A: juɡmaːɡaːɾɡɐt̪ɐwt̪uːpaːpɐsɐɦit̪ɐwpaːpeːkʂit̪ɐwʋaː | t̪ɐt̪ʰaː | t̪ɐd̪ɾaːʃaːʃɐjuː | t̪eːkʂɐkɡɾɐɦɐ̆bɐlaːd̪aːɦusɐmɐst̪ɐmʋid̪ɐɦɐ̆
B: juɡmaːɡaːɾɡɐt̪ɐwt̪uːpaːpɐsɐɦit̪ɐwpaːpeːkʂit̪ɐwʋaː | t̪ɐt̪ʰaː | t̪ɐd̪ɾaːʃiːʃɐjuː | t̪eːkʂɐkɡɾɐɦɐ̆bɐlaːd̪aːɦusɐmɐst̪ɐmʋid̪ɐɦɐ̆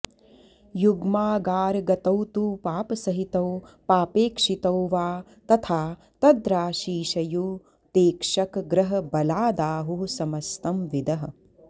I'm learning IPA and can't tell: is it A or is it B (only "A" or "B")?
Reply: B